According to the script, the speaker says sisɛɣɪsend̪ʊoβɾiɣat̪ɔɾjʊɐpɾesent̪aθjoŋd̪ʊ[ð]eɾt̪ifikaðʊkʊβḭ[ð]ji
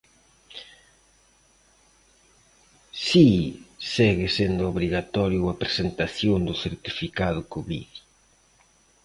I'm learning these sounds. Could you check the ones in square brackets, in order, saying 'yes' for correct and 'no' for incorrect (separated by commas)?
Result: no, yes